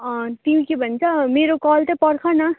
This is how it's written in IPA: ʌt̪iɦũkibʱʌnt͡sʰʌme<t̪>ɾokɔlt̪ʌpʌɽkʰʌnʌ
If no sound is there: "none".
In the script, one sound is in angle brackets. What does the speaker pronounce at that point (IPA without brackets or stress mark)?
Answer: none